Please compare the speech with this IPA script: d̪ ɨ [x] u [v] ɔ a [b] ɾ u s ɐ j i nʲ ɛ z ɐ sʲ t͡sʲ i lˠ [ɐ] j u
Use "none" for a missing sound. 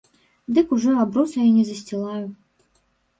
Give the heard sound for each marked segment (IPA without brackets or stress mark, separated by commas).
k, ʐ, b, a